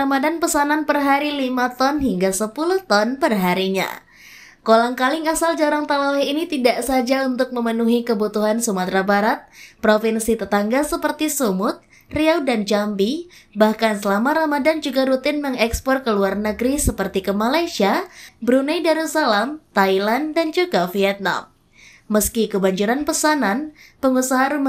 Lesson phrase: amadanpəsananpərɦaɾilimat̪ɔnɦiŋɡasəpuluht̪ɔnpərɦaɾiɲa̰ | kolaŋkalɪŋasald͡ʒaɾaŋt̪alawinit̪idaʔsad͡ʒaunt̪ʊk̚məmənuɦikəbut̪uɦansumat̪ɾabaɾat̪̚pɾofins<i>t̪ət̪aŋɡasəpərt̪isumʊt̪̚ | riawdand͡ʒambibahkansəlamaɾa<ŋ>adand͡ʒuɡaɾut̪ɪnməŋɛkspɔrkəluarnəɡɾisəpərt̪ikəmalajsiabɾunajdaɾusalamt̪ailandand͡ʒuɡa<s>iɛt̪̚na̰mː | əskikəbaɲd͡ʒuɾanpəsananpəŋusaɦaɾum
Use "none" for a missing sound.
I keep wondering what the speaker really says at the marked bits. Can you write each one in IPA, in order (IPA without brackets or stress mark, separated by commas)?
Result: i, m, f